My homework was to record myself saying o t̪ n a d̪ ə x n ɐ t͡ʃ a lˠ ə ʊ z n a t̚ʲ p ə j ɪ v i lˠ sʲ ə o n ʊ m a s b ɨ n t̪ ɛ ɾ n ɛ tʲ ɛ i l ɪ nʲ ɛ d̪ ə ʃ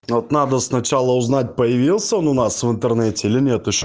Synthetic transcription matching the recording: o t̪ n a d̪ ə s n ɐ t͡ʃ a lˠ ə ʊ z n a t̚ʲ p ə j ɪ v i lˠ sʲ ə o n ʊ n a s v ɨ n t̪ ɛ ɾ n ɛ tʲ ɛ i l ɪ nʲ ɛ t̪ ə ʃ